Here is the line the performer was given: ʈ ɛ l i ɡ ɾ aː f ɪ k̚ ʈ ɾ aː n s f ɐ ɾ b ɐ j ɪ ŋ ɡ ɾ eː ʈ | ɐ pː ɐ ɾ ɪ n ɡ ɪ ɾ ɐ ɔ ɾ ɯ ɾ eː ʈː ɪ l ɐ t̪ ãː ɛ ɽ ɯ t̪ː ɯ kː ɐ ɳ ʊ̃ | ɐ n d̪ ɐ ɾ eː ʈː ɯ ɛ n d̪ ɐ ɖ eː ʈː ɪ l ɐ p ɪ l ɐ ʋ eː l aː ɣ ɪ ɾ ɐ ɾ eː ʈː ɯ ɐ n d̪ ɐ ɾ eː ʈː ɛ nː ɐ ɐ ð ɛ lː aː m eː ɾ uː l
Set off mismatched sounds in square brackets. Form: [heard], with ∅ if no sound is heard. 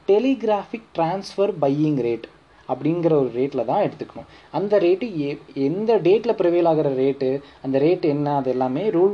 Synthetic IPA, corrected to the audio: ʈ ɛ l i ɡ ɾ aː f ɪ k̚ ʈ ɾ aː n s f ɐ ɾ b ɐ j ɪ ŋ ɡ ɾ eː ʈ | ɐ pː ɐ [ɽ] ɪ n ɡ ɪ ɾ ɐ ɔ ɾ ɯ ɾ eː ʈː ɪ l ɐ t̪ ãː ɛ ɽ ɯ t̪ː ɯ kː ɐ ɳ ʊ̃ | ɐ n d̪ ɐ ɾ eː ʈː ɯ ɛ n d̪ ɐ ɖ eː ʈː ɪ l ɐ p ɪ [ɾ] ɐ ʋ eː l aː ɣ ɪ ɾ ɐ ɾ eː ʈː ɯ ɐ n d̪ ɐ ɾ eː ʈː ɛ nː ɐ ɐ ð ɛ lː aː m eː ɾ uː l